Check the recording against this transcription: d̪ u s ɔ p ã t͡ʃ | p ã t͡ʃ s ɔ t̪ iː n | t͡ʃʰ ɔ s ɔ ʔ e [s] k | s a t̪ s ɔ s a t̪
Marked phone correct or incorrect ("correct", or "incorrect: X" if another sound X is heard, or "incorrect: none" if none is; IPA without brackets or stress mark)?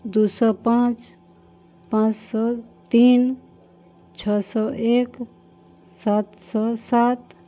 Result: incorrect: none